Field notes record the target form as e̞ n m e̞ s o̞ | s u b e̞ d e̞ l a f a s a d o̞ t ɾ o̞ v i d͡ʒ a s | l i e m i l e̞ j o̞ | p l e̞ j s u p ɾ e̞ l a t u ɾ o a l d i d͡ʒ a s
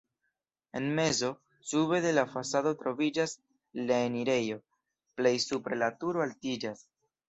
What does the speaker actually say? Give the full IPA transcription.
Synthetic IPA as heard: e̞ n m e̞ z o̞ | s u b e̞ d e̞ l a f a s a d o̞ t ɾ o̞ v i d͡ʒ a s | l a e n i ɾ e̞ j o̞ | p l e̞ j s u p ɾ e̞ l a t u ɾ o a l t i d͡ʒ a s